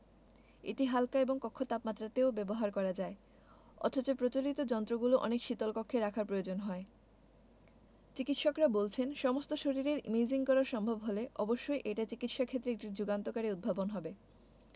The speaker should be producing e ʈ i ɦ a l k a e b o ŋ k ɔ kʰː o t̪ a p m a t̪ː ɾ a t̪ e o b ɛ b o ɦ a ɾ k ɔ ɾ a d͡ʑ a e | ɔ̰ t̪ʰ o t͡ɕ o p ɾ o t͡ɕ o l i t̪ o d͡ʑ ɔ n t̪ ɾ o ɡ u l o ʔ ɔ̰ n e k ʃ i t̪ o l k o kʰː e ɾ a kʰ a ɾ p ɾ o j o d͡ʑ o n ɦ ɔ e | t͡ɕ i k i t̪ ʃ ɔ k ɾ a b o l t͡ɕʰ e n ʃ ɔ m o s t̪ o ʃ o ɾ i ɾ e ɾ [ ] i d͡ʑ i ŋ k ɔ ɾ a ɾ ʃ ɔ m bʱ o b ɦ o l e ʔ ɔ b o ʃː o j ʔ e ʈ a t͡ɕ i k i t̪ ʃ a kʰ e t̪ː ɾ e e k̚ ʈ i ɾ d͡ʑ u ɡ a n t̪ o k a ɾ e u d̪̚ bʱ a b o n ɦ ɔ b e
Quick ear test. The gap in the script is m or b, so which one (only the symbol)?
m